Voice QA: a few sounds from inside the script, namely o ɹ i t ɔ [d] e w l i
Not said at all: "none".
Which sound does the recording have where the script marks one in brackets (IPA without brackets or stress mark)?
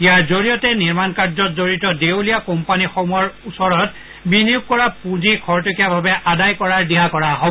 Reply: d